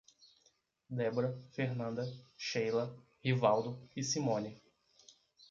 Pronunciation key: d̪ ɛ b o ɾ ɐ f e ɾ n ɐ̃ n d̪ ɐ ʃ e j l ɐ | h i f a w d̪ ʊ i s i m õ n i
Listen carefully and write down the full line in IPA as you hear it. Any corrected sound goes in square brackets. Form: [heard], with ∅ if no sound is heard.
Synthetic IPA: d̪ ɛ b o ɾ ɐ f e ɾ n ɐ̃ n d̪ ɐ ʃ e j l ɐ | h i [v] a w d̪ ʊ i s i m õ n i